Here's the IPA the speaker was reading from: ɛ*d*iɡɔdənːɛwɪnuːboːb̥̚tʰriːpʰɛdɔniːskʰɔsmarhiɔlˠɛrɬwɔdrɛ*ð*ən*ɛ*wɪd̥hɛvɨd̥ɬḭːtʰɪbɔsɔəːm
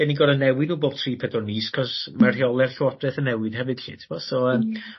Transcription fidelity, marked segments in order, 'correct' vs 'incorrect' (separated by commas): incorrect, incorrect, correct